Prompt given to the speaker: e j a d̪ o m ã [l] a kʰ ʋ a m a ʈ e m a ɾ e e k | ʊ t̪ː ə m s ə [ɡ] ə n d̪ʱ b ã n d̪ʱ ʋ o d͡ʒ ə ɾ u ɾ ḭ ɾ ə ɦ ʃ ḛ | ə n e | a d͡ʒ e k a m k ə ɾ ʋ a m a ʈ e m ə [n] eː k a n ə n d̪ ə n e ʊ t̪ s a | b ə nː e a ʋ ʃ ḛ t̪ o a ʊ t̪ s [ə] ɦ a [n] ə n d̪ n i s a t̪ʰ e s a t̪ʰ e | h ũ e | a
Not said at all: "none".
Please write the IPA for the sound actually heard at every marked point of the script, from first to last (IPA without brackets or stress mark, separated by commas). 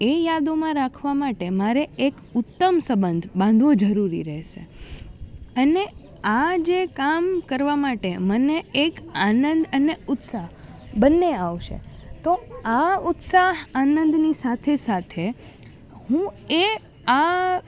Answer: ɾ, b, n, a, n